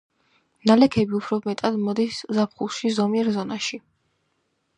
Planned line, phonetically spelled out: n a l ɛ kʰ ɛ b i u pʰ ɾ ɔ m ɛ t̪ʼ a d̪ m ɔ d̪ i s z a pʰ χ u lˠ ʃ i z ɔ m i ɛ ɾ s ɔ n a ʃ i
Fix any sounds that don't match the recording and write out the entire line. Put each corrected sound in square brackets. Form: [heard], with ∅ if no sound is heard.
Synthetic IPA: n a l ɛ kʰ ɛ b i u pʰ ɾ ɔ m ɛ t̪ʼ a d̪ m ɔ d̪ i s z a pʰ χ u lˠ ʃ i z ɔ m i ɛ ɾ [z] ɔ n a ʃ i